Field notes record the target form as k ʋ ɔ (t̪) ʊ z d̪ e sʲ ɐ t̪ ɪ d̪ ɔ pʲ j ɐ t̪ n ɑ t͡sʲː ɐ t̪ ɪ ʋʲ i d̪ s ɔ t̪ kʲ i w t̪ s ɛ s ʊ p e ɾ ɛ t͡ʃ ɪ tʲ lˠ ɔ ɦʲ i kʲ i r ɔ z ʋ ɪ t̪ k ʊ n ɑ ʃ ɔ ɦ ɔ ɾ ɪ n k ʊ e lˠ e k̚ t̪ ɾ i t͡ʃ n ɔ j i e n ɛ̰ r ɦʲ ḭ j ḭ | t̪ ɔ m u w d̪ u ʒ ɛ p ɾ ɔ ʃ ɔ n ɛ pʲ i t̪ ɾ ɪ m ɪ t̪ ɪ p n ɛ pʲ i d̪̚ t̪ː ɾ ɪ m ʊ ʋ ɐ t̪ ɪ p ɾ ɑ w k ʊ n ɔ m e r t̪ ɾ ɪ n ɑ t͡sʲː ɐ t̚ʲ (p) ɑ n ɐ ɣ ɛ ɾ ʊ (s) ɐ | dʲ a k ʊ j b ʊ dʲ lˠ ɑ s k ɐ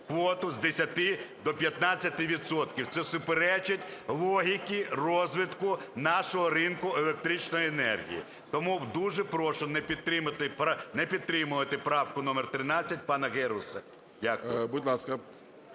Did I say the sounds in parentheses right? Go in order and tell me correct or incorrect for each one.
correct, correct, correct

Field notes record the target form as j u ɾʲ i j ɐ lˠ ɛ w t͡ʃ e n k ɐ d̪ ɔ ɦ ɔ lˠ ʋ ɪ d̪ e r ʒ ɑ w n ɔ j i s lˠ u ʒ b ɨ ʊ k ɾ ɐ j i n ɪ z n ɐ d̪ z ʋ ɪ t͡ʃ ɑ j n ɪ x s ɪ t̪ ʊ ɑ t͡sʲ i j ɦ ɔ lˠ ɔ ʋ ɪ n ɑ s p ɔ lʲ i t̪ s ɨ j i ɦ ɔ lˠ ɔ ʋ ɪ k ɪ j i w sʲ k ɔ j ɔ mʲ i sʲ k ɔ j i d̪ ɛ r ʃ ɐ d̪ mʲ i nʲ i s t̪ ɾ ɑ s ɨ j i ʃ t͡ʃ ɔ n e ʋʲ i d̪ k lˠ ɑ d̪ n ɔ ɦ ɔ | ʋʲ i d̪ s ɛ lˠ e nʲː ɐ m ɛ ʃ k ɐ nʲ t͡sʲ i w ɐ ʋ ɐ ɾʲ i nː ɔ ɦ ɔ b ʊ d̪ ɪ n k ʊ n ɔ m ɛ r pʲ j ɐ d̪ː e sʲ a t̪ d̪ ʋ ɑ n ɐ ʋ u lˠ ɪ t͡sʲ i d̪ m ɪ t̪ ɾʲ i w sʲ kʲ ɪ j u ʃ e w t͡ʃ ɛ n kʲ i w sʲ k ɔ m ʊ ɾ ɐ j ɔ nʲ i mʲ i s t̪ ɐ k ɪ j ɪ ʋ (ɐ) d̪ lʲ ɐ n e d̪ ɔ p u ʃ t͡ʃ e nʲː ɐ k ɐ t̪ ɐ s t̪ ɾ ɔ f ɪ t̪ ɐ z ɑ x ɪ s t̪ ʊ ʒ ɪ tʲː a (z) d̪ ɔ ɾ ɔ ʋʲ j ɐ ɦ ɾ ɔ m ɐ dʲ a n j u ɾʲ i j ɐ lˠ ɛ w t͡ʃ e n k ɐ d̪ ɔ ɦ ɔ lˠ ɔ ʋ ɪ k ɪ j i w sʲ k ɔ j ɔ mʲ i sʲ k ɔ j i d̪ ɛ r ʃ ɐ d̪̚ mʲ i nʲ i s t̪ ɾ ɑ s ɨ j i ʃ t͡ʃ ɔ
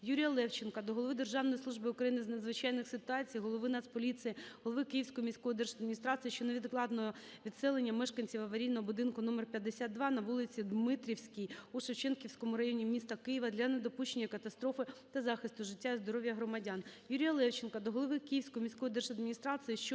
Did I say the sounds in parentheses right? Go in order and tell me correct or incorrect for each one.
correct, correct

